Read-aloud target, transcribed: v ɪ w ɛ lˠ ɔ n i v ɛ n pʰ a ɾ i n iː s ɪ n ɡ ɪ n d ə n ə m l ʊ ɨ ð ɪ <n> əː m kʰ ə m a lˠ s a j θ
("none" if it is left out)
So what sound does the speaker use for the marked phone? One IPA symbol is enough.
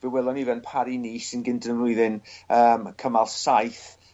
n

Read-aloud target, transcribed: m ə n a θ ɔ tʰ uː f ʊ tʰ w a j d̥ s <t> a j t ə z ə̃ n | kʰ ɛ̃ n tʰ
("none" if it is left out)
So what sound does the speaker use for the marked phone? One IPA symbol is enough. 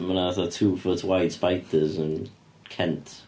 p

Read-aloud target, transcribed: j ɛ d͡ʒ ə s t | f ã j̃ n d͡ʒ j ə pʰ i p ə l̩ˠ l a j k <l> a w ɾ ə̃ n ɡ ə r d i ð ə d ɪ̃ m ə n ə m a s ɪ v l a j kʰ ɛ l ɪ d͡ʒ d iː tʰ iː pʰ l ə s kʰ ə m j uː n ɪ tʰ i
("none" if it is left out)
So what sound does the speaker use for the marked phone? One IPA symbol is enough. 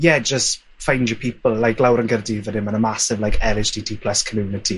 l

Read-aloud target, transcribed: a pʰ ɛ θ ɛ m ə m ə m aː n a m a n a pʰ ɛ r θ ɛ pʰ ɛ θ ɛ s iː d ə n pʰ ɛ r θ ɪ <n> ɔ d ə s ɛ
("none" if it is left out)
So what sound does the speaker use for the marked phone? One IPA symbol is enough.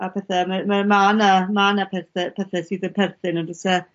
n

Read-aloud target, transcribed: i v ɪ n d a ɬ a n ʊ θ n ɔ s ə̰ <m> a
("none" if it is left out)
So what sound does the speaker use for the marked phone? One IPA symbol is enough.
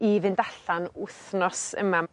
m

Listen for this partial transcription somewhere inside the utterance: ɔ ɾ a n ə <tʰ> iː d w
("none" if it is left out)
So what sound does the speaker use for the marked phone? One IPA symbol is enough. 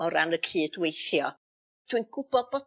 kʰ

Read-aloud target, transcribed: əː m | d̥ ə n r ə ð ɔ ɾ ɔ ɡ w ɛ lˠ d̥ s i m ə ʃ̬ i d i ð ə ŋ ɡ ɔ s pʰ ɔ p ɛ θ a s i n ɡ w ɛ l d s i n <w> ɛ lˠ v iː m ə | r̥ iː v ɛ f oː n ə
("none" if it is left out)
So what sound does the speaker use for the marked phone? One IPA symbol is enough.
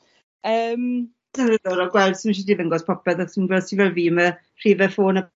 v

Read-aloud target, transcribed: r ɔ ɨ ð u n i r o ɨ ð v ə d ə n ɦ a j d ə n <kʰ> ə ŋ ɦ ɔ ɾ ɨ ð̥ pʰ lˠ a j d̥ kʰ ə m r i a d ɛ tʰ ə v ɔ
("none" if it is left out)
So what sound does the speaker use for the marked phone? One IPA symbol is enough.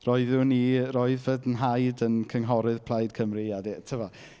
kʰ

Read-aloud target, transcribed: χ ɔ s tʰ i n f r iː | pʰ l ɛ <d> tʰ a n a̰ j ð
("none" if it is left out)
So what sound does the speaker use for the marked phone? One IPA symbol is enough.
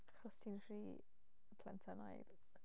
n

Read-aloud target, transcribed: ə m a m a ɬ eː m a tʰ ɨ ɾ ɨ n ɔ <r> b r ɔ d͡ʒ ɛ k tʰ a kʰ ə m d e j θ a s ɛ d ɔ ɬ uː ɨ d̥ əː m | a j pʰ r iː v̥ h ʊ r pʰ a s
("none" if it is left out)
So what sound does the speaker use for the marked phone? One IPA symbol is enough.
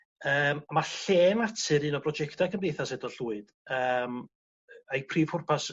none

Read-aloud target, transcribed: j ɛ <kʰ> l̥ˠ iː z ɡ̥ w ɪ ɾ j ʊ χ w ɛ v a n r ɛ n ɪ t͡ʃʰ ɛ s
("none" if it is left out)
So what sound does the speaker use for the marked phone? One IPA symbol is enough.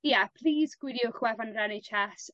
pʰ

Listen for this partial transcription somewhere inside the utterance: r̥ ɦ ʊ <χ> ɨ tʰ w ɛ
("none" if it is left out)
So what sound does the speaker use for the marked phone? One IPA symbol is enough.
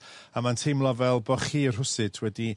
s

